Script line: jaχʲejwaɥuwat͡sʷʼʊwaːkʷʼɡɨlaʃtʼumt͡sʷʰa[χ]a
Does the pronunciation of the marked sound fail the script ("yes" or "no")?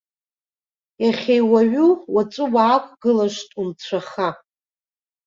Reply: no